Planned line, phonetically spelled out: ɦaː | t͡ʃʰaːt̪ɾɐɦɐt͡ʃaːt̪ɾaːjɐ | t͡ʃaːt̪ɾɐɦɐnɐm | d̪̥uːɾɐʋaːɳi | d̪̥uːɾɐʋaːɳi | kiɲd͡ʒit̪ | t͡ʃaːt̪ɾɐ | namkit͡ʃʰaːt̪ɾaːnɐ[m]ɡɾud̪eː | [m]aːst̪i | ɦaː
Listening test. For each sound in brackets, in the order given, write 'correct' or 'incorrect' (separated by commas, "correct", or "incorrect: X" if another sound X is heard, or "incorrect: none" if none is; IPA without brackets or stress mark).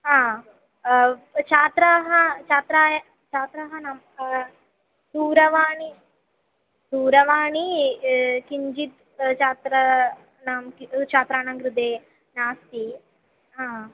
incorrect: ŋ, incorrect: n